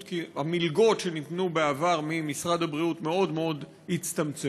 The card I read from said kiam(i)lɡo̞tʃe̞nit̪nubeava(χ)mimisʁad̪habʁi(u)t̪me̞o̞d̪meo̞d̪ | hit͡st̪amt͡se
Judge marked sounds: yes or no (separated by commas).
yes, no, yes